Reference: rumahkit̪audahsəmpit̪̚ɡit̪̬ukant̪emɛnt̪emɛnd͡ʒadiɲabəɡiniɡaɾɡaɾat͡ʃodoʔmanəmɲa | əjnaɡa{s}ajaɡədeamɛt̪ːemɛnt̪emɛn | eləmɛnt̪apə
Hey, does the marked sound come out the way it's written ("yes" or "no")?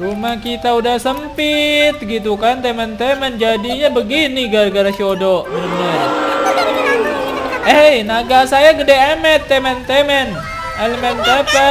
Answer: yes